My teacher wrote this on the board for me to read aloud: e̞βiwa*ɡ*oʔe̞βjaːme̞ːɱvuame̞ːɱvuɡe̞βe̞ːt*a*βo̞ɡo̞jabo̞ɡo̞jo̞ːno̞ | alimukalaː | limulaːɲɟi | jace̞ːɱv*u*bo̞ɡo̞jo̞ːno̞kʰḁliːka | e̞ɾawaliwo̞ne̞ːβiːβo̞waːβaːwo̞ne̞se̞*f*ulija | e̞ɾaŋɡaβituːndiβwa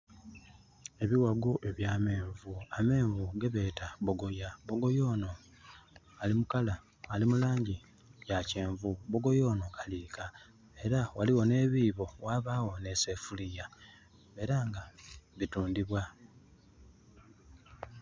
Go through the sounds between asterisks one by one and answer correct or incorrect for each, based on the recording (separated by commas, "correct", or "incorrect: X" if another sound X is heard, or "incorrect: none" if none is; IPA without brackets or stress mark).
correct, correct, correct, correct